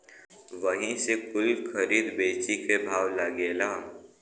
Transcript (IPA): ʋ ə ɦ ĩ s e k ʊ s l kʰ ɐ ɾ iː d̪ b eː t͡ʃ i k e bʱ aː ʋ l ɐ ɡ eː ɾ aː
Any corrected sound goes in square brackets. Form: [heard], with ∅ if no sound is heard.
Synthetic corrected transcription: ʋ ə ɦ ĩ s e k ʊ [∅] l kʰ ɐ ɾ iː d̪ b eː t͡ʃ i k e bʱ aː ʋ l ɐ ɡ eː [l] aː